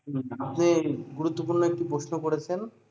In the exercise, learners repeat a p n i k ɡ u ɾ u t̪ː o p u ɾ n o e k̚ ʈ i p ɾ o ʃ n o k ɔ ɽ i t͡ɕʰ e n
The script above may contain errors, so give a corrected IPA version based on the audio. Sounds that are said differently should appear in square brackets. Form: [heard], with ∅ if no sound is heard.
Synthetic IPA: a p n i [∅] ɡ u ɾ u t̪ː o p u ɾ n o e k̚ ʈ i p ɾ o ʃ n o k [o] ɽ [e] t͡ɕʰ e n